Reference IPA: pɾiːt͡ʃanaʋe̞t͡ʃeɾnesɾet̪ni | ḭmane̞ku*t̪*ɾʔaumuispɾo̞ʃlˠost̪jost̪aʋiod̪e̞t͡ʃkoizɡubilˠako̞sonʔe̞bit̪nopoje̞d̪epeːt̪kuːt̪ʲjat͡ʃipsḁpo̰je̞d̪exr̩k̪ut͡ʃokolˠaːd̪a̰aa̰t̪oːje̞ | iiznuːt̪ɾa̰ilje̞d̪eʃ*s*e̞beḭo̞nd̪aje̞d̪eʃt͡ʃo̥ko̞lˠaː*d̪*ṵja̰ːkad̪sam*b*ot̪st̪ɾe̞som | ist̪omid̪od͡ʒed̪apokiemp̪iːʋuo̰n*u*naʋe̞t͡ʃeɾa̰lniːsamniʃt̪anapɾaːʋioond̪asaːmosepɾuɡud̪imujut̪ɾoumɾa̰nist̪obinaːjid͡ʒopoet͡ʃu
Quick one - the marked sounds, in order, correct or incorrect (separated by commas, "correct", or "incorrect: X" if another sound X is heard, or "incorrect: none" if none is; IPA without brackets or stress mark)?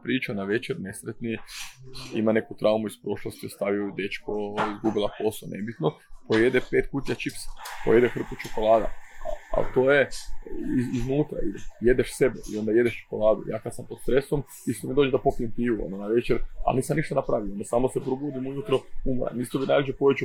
correct, correct, correct, incorrect: p, incorrect: o